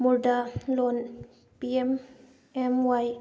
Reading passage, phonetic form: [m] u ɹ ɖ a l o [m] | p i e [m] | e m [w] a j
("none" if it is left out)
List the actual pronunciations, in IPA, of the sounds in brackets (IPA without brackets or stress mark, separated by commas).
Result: m, n, m, w